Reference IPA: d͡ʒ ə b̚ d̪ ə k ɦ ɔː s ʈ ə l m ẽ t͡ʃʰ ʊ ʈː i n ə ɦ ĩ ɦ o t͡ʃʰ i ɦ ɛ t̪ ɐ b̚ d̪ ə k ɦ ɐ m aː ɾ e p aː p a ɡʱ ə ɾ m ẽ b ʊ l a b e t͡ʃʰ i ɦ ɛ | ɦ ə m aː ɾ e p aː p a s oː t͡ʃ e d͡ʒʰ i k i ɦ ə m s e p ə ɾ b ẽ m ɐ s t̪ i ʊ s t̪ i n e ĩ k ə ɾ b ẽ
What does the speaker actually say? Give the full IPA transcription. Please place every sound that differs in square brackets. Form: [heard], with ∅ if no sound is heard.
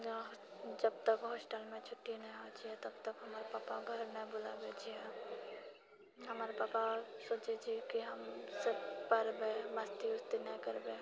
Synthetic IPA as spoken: d͡ʒ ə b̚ [t̪] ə k ɦ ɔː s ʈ ə l m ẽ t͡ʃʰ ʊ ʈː i n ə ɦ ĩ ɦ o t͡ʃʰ i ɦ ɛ t̪ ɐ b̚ [t̪] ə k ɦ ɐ m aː ɾ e p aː p a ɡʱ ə ɾ m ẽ b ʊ l a b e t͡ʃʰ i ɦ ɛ | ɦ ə m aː ɾ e p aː p a s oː t͡ʃ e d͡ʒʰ i k i ɦ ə m s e p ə ɾ b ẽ m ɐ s t̪ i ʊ s t̪ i n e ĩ k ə ɾ b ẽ